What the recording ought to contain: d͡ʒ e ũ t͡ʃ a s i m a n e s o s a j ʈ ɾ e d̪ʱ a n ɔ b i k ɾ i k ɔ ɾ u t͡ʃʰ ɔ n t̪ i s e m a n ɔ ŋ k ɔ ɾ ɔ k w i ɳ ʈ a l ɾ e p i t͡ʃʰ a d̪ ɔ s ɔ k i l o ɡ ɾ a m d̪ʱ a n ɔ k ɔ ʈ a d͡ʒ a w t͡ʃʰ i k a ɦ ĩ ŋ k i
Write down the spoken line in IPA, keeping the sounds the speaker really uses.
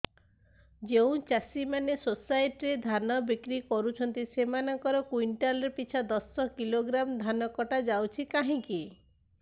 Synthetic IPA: d͡ʒ e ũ t͡ʃ a s i m a n e s o s a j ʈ ɾ e d̪ʱ a n ɔ b i k ɾ i k ɔ ɾ u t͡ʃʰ ɔ n t̪ i s e m a n ɔ ŋ k ɔ ɾ ɔ k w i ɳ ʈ a l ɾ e p i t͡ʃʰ a d̪ ɔ s ɔ k i l o ɡ ɾ a m d̪ʱ a n ɔ k ɔ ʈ a d͡ʒ a w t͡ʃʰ i k a ɦ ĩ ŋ k i